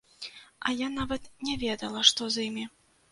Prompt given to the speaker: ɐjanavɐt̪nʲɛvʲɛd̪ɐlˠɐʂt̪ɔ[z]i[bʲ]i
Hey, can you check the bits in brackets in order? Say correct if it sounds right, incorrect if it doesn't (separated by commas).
correct, incorrect